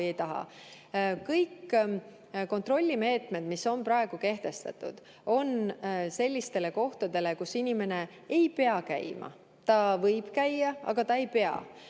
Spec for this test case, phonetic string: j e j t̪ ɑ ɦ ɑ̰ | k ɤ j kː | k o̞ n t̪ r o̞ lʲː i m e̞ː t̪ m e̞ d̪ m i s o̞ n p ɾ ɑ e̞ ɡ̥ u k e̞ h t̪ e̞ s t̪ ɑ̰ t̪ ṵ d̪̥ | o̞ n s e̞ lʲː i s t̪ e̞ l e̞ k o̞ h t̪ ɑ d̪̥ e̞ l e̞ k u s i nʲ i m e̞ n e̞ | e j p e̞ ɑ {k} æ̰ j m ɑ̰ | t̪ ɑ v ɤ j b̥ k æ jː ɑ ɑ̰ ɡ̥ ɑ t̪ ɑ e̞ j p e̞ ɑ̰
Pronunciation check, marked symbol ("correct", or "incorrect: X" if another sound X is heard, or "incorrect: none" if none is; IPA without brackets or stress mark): correct